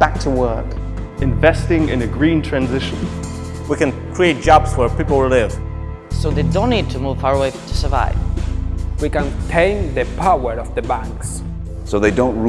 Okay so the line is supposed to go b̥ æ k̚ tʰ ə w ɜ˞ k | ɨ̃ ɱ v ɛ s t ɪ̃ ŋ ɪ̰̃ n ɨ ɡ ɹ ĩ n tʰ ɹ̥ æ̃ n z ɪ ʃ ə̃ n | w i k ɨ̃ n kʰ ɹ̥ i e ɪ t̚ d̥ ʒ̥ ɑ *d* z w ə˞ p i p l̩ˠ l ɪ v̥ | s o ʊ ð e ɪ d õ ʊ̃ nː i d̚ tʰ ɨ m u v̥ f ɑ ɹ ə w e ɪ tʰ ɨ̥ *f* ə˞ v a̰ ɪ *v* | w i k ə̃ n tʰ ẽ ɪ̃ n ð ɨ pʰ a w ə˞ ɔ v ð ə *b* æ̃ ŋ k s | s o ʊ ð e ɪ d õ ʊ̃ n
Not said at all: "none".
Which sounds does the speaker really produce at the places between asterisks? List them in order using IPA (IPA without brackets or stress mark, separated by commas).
b, s, v, b